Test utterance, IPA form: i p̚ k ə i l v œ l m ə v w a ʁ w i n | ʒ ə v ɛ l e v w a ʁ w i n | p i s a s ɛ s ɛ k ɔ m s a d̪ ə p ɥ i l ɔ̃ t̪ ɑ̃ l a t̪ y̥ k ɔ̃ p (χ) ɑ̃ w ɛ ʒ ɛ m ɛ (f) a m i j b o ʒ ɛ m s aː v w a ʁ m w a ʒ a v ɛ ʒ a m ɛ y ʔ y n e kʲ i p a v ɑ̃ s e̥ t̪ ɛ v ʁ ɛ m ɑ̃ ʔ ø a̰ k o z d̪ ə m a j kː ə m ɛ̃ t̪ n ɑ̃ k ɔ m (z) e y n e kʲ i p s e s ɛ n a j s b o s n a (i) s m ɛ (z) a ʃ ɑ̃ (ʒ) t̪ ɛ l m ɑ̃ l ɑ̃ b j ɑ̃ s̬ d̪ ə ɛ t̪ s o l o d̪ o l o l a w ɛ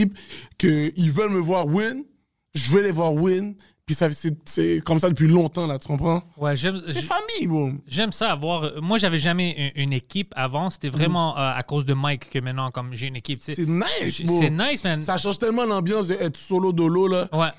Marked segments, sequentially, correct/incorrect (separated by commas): correct, correct, incorrect, incorrect, incorrect, correct